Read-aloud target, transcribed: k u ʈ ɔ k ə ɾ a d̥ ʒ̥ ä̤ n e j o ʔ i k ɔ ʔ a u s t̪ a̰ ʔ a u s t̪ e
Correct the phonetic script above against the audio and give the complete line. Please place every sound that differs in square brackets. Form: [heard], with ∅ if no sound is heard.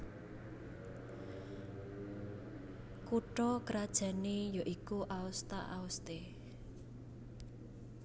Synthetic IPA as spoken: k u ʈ ɔ k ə ɾ a d̥ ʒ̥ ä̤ n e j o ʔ i k [u] ʔ a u s t̪ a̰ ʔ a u s t̪ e